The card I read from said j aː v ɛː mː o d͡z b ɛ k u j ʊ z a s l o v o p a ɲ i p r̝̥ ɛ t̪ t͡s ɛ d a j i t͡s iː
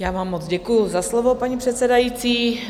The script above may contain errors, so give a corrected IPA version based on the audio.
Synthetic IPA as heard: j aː v aː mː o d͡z ɟ ɛ k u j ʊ z a s l o v o p a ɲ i p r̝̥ ɛ t̪ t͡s ɛ d a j i t͡s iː